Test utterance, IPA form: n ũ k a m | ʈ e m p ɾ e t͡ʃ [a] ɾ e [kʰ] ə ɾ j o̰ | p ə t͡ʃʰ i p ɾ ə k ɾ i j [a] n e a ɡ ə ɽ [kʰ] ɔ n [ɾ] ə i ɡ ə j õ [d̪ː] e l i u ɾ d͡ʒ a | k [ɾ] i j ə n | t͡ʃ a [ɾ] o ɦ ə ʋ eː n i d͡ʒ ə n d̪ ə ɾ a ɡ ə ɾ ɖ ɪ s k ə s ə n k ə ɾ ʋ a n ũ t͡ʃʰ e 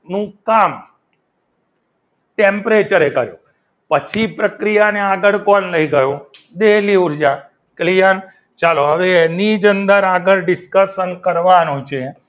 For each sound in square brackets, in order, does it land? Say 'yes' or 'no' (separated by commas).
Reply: no, no, yes, no, no, no, no, no